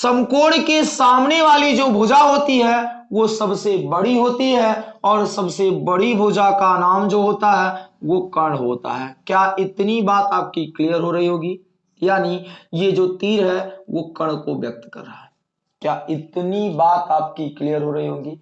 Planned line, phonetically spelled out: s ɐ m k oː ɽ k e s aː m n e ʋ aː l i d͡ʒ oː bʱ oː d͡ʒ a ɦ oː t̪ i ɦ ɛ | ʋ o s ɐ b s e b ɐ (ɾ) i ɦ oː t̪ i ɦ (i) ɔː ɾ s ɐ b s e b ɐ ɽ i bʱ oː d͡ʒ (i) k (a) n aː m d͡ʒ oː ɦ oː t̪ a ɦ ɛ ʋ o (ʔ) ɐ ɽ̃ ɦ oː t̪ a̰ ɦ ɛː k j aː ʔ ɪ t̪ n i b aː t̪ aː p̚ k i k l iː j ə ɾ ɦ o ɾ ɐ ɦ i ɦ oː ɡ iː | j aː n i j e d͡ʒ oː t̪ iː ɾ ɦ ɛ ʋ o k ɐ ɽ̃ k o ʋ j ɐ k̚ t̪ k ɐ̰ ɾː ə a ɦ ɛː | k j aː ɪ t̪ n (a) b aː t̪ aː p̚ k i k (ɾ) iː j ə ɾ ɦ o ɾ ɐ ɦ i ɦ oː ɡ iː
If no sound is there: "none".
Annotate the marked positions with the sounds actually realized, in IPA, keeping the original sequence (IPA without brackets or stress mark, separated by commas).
ɽ, ɛ, a, a, k, i, l